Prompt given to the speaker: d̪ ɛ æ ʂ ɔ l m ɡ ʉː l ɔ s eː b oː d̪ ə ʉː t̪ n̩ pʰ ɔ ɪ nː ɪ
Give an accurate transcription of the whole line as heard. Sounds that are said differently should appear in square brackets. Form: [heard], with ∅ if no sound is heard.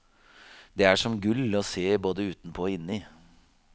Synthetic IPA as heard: d̪ ɛ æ ʂ ɔ [∅] m ɡ [ʉ] l ɔ s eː b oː d̪ ə ʉː t̪ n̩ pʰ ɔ ɪ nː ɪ

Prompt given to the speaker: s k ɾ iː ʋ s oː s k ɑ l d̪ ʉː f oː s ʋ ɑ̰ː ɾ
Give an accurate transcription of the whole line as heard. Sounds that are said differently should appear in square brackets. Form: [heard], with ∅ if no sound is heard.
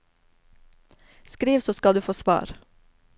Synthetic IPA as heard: s k ɾ iː ʋ s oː s k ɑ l d̪ ʉː f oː s ʋ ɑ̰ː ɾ

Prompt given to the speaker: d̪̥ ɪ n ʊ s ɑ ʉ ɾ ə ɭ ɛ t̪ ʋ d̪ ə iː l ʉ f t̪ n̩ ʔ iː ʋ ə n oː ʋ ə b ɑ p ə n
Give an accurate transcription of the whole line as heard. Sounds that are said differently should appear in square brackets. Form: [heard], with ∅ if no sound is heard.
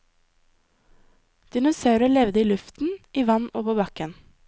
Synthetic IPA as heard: d̪̥ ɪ n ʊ s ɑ ʉ ɾ ə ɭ ɛ [∅] ʋ d̪ ə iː l ʉ f t̪ n̩ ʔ iː ʋ [ɑ] n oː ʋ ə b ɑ [k] ə n

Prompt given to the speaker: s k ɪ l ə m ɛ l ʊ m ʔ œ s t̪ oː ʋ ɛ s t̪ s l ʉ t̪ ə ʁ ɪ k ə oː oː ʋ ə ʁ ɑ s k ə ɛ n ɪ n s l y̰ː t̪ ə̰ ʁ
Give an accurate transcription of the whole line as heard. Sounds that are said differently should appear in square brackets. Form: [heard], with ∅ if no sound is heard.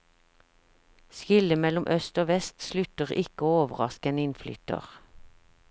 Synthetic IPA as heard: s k ɪ l ə m ɛ l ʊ m ʔ œ s t̪ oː ʋ ɛ s t̪ s l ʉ t̪ ə ʁ ɪ k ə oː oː ʋ ə ʁ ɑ s k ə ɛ n ɪ n [f] l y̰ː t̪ ə̰ ʁ

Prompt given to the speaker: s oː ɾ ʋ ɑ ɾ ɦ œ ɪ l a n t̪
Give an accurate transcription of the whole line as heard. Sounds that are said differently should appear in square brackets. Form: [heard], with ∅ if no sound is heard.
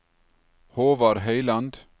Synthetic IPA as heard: [h] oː [∅] ʋ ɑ ɾ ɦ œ ɪ l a n [d̪]

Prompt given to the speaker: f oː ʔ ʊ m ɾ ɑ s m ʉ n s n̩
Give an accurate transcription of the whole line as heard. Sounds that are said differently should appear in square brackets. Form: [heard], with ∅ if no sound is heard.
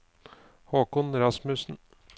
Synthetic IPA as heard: [h] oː [k] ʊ [n] ɾ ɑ s m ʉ [∅] s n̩

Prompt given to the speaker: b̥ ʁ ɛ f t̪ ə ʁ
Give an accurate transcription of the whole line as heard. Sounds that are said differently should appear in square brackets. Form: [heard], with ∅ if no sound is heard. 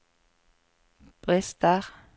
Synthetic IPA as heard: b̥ ʁ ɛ [s] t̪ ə ʁ

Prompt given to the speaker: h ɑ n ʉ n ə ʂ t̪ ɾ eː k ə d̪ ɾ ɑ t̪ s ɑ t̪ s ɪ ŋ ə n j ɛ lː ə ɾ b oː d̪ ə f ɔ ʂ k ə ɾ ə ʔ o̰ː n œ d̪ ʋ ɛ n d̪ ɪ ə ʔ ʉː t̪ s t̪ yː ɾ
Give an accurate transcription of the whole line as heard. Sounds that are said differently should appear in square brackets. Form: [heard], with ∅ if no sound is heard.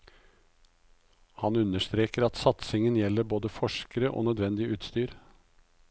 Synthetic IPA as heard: h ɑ n ʉ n ə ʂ t̪ ɾ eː k ə [∅] ɾ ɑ t̪ s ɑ t̪ s ɪ ŋ ə n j ɛ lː ə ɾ b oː d̪ ə f ɔ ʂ k ə ɾ ə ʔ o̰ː n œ d̪ ʋ ɛ n d̪ ɪ ə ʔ ʉː t̪ s t̪ yː ɾ

